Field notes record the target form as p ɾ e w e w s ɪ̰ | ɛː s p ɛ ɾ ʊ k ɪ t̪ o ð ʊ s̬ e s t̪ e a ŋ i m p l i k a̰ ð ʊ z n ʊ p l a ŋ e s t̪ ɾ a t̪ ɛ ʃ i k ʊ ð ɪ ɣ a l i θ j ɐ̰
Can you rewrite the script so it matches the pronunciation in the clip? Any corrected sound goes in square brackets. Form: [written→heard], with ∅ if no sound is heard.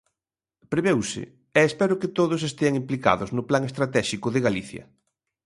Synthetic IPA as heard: p ɾ e [w→β] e w s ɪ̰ | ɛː s p ɛ ɾ ʊ k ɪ t̪ o ð ʊ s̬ e s t̪ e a ŋ i m p l i k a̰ ð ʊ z n ʊ p l a ŋ e s t̪ ɾ a t̪ ɛ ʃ i k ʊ ð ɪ ɣ a l i θ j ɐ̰